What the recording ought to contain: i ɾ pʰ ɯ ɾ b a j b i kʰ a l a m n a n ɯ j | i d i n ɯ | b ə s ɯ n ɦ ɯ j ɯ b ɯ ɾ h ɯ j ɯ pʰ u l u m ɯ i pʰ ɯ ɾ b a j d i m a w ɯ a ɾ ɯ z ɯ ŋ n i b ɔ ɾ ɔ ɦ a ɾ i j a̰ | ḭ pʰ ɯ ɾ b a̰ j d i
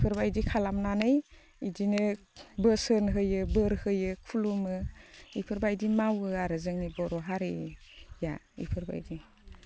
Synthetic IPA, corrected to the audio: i pʰ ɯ ɾ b a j d i kʰ a l a m n a n ɯ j | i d i n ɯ | b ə s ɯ n ɦ ɯ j ɯ b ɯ ɾ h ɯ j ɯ kʰ u l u m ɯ i pʰ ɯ ɾ b a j d i m a w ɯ a ɾ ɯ z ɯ ŋ n i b ɔ ɾ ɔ ɦ a ɾ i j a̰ | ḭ pʰ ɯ ɾ b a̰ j d i